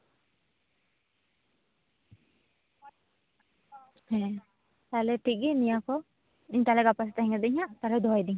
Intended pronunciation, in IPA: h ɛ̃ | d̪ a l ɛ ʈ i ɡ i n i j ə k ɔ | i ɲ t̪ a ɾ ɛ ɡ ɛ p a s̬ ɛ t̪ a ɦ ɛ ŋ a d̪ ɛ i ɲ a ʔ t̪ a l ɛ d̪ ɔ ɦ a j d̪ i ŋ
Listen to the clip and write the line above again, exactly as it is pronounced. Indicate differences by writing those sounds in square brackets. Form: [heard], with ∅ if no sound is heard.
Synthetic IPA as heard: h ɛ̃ | [t̪] a l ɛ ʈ i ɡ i n i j [a] k ɔ | i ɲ t̪ a [l] ɛ ɡ [a] p a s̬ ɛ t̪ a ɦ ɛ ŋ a d̪ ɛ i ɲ a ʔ t̪ a l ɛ d̪ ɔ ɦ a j d̪ i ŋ